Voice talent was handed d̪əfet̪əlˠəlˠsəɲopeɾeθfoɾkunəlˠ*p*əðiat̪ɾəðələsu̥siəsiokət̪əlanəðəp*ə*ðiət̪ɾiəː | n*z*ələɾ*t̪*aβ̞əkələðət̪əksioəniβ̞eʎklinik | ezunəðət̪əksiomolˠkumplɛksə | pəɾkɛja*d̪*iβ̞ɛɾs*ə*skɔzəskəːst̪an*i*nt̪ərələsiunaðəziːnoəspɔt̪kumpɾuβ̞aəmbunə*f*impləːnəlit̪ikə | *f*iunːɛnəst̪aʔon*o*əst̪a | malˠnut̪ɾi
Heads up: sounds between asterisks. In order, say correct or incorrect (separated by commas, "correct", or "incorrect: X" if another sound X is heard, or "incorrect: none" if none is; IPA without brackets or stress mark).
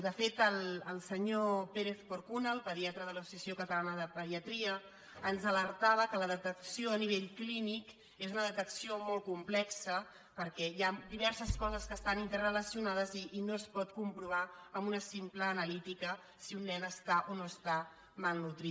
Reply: correct, correct, correct, correct, correct, correct, correct, incorrect: s, incorrect: s, correct